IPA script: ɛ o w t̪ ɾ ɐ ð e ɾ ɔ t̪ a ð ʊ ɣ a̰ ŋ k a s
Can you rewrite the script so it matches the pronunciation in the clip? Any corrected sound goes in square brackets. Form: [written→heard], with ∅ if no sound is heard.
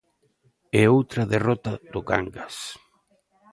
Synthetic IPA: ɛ o w t̪ ɾ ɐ ð e [ɾ→r] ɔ t̪ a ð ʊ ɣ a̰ ŋ [k→ɡ] a s